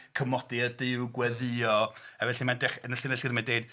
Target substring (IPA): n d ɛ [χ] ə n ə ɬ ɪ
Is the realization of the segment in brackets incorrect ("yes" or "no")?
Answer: no